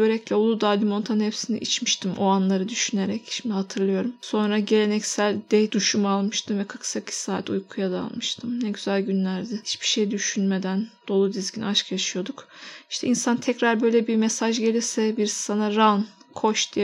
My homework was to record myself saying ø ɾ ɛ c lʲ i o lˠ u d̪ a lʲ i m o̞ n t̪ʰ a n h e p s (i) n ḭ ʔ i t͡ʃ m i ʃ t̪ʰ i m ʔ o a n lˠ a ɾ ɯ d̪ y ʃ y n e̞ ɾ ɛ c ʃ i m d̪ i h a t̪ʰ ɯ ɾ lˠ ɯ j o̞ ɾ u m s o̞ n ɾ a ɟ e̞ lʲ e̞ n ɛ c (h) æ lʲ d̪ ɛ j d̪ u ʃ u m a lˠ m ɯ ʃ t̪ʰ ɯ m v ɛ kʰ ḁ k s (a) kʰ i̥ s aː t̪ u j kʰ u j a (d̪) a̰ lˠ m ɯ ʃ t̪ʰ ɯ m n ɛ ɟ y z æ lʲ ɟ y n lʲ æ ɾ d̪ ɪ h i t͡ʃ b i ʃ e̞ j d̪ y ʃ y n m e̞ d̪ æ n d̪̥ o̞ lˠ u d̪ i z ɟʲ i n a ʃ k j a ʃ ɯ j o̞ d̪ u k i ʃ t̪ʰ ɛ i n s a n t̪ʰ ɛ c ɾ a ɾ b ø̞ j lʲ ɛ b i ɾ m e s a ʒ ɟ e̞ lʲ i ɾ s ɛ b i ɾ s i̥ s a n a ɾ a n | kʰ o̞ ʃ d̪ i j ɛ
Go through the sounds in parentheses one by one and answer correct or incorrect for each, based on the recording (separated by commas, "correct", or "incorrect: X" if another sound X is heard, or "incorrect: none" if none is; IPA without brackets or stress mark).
correct, incorrect: s, correct, correct